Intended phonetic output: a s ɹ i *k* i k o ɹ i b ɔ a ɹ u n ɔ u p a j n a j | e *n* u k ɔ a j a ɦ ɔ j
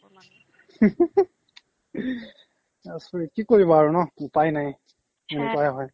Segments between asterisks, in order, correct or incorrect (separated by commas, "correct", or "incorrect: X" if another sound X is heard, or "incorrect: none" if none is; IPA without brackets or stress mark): correct, correct